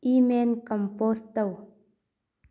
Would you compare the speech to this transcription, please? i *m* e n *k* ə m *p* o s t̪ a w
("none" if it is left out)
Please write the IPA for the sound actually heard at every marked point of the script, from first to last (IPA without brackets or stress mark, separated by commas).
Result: m, k, p